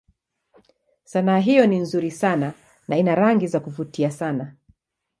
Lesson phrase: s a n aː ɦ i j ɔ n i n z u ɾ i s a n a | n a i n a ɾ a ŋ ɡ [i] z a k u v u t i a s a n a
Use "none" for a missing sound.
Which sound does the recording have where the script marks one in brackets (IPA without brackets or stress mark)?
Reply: i